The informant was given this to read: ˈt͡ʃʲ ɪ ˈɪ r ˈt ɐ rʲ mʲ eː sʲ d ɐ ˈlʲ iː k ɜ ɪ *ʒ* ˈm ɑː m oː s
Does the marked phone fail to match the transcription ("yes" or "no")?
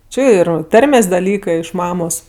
yes